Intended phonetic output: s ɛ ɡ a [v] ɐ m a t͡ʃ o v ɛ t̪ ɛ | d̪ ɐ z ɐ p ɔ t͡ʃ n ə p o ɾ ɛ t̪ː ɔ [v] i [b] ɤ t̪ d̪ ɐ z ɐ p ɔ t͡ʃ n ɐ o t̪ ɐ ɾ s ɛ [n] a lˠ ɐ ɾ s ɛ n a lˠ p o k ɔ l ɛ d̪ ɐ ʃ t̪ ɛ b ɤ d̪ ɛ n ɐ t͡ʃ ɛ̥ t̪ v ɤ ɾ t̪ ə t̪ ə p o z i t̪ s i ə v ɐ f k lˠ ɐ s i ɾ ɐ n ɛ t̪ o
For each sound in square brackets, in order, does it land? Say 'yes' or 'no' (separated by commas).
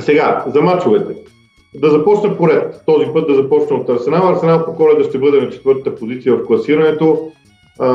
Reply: no, no, no, yes